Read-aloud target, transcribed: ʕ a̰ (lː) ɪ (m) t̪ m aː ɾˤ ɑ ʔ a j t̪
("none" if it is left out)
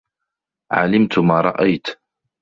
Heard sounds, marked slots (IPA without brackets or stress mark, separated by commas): l, m